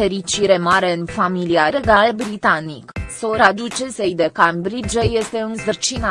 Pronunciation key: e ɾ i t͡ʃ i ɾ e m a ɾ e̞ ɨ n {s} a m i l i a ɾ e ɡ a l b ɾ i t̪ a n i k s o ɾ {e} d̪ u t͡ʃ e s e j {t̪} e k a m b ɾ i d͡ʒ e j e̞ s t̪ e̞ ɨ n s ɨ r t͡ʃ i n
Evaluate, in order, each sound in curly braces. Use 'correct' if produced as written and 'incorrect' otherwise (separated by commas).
incorrect, incorrect, incorrect